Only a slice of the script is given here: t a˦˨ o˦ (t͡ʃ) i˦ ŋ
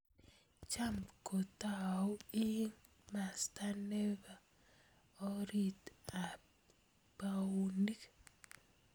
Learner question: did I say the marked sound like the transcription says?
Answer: no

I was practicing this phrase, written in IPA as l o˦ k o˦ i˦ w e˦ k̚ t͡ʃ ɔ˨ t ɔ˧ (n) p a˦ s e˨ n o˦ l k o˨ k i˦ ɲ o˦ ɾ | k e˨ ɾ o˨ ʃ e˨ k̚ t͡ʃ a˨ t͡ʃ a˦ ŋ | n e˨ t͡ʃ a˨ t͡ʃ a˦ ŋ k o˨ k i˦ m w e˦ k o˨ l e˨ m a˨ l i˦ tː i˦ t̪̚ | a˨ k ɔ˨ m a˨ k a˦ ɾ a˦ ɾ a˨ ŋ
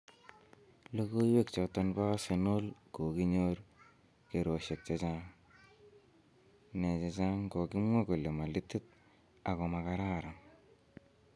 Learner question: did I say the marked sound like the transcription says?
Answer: yes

